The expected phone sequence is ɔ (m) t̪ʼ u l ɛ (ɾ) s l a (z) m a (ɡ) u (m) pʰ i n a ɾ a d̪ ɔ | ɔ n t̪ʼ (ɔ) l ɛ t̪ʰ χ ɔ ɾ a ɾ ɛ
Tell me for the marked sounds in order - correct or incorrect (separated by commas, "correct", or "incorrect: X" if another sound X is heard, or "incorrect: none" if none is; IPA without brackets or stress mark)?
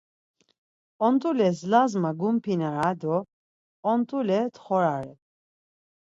incorrect: n, incorrect: none, correct, correct, correct, incorrect: u